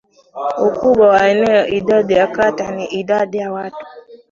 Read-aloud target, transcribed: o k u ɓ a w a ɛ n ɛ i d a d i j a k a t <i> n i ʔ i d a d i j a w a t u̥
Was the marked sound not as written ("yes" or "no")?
yes